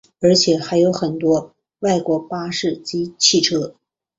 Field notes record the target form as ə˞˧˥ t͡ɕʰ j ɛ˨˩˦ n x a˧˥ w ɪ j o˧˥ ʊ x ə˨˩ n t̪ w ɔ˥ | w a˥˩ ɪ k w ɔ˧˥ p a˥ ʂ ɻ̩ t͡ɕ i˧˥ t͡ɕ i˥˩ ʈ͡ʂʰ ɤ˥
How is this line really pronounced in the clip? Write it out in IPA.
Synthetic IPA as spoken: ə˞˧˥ t͡ɕʰ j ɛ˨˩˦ x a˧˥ ɪ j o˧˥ ʊ x ə˨˩ n t̪ w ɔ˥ | w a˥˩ ɪ k w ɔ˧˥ p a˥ ʂ ɻ̩ t͡ɕ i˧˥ t͡ɕʰ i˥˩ ʈ͡ʂʰ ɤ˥

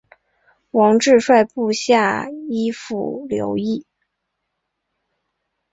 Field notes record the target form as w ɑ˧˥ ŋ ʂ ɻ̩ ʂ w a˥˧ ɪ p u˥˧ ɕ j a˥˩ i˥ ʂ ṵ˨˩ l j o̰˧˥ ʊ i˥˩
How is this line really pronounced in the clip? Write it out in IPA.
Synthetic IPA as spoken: w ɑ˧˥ ŋ ʈ͡ʂ ɻ̩ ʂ w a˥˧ ɪ p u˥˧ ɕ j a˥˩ i˥ f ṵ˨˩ l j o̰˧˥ ʊ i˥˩

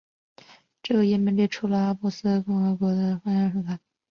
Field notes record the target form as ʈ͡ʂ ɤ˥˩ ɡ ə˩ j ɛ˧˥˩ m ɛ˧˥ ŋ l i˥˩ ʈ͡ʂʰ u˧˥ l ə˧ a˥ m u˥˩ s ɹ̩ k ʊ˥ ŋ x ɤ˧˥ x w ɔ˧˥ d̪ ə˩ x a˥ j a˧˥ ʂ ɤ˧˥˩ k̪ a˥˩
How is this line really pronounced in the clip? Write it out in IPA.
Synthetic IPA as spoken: ʈ͡ʂ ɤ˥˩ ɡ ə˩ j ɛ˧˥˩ m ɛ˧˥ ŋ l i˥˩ ʈ͡ʂʰ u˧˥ l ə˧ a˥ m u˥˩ s ɹ̩ k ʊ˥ ŋ x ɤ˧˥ k w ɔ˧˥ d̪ ə˧ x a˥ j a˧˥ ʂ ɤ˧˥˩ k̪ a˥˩

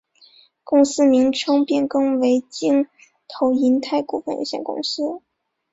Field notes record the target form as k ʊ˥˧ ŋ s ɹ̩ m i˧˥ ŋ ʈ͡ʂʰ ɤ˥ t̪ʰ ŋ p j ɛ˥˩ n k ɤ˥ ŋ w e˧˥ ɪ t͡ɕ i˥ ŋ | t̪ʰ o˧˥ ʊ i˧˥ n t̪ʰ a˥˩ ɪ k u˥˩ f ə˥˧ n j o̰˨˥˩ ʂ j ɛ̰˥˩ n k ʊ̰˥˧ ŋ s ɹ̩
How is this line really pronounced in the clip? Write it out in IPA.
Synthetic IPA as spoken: k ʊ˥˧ ŋ s ɹ̩ m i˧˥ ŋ ʈ͡ʂʰ ɤ˥ ŋ p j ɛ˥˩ n k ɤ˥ ŋ w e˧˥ ɪ t͡ɕ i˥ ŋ | t̪ʰ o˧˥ ʊ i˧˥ n t̪ʰ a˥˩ ɪ k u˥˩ f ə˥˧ n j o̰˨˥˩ ɕ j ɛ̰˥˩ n k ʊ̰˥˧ ŋ s ɹ̩

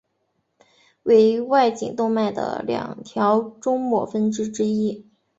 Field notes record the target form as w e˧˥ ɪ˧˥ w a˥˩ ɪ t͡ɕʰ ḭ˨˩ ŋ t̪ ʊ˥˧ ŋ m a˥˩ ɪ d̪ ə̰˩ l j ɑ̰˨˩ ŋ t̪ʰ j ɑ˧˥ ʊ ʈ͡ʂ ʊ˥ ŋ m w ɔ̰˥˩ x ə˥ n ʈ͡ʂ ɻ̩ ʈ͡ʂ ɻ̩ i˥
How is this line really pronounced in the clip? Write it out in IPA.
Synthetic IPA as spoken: w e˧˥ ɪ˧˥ w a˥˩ ɪ t͡ɕ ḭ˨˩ ŋ t̪ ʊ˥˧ ŋ m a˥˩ ɪ d̪ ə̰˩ l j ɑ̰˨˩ ŋ t̪ʰ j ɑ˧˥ ʊ ʈ͡ʂ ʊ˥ ŋ m w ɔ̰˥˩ f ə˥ n ʈ͡ʂ ɻ̩ ʈ͡ʂ ɻ̩ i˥

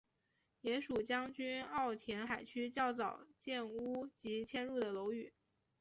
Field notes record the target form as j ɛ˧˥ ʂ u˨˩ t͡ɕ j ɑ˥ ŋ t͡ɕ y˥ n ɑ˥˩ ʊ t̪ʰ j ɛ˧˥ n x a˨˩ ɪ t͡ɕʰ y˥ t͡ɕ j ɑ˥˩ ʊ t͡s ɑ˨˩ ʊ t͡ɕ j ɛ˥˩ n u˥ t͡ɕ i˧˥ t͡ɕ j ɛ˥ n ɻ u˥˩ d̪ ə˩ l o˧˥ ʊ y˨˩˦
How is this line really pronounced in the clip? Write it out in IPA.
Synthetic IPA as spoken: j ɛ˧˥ ʂ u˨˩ t͡ɕ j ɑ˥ ŋ t͡ɕ y˥ n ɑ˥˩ ʊ t̪ʰ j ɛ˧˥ n x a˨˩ ɪ t͡ɕʰ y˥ t͡ɕ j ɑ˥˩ ʊ t͡s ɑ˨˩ ʊ t͡ɕ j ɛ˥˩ n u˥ t͡ɕ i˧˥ t͡ɕʰ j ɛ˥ n ɻ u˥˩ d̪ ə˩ l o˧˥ ʊ y˨˩˦

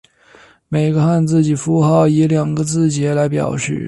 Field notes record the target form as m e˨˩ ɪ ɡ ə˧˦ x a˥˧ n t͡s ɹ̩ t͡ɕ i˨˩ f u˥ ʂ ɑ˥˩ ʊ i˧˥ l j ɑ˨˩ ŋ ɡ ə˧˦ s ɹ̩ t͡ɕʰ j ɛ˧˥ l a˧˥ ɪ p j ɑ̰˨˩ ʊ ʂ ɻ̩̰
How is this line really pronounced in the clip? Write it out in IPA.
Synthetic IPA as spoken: m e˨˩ ɪ ɡ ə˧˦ x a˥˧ n t͡s ɹ̩ t͡ɕ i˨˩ f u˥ x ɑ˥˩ ʊ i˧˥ l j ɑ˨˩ ŋ ɡ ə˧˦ t͡s ɹ̩ t͡ɕ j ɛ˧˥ l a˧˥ ɪ p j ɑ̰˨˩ ʊ ʂ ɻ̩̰

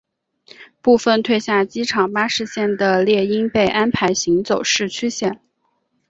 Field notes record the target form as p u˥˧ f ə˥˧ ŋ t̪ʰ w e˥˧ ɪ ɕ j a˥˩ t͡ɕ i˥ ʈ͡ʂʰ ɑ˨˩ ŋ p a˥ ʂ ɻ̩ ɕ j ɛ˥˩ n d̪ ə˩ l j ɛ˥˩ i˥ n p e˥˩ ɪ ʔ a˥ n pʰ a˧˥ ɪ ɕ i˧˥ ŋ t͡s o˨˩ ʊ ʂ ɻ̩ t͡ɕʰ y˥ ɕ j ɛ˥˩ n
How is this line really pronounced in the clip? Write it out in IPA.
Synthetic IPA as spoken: p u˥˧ f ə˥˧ n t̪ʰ w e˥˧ ɪ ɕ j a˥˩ t͡ɕ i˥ ʈ͡ʂʰ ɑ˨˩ ŋ p a˥ ʂ ɻ̩ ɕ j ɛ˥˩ n d̪ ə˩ l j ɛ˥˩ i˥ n p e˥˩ ɪ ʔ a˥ n pʰ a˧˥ ɪ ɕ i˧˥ ŋ t͡s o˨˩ ʊ ʂ ɻ̩ t͡ɕʰ y˥ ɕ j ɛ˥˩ n

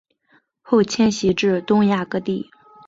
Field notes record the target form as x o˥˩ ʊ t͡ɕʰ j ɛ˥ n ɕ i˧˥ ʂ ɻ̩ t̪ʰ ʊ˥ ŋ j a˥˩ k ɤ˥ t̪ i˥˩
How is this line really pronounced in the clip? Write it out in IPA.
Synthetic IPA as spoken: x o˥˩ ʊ t͡ɕʰ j ɛ˥ n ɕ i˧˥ ʈ͡ʂ ɻ̩ t̪ ʊ˥ ŋ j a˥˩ k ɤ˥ t̪ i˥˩

